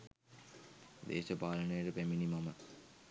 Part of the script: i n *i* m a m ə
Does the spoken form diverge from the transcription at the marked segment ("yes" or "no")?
no